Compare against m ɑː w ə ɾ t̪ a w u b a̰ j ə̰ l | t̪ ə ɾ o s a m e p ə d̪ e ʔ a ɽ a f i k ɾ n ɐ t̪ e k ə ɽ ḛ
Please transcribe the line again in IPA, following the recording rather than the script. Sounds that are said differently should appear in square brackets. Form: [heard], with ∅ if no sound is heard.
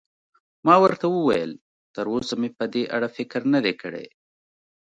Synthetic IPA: m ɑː w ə ɾ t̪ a w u [w] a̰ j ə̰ l | t̪ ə ɾ o s a m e p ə d̪ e ʔ a ɽ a f [ɪ] k ɾ n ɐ [d̪] e k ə ɽ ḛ